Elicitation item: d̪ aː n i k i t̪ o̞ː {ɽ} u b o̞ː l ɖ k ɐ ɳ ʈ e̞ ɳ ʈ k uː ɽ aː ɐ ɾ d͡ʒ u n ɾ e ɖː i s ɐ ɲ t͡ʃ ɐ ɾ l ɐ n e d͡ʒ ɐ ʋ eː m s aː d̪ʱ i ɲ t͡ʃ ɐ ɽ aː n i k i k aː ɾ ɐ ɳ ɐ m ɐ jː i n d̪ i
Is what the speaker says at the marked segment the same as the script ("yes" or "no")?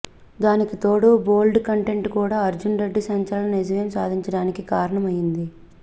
yes